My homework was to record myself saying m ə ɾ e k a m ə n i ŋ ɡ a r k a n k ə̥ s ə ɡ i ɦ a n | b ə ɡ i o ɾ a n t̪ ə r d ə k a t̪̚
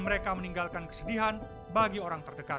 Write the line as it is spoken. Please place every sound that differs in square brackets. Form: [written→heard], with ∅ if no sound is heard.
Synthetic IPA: m ə ɾ e k a m ə n i ŋ ɡ a [r→l] k a n k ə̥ s ə [ɡ→d] i ɦ a n | b [ə→a] ɡ i o ɾ a [n→ŋ] t̪ ə r d ə k a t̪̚